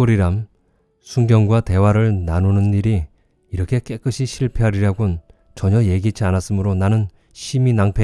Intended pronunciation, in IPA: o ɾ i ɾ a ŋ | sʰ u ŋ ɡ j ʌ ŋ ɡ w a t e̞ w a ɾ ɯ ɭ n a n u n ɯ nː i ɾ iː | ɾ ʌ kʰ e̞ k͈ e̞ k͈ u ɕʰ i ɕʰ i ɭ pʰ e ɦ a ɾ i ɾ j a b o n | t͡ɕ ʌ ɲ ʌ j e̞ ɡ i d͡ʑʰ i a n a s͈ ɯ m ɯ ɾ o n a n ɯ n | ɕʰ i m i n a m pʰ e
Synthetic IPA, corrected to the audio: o ɾ i ɾ a m | sʰ u ŋ ɡ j ʌ ŋ ɡ w a t e̞ w a ɾ ɯ ɭ n a n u n ɯ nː i ɾ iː | ɾ ʌ kʰ e̞ k͈ e̞ k͈ ɯ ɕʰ i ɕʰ i ɭ pʰ e ɦ a ɾ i ɾ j a ɡ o n | t͡ɕ ʌ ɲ ʌ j e̞ ɡ i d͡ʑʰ i a n a s͈ ɯ m ɯ ɾ o n a n ɯ n | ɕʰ i m i n a ŋ pʰ e